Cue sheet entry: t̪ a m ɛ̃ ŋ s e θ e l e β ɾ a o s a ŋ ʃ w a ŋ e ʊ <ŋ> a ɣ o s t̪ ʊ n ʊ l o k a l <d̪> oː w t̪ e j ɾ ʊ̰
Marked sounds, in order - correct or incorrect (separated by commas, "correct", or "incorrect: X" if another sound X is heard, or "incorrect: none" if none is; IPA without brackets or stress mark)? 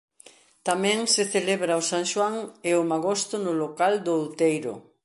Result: incorrect: m, correct